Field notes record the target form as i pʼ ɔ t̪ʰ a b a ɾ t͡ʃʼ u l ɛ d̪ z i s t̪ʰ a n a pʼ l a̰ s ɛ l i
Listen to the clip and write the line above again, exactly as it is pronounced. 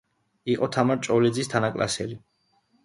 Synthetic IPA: i qʼ ɔ t̪ʰ a m a ɾ t͡ʃʼ ɔ l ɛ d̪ z i s t̪ʰ a n a kʼ l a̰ s ɛ l i